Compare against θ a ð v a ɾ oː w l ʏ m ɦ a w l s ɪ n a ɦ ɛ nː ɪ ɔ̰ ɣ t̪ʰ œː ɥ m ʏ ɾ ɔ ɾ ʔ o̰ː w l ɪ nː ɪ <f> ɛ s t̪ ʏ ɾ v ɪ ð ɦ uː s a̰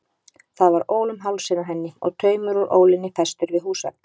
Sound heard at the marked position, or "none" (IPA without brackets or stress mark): f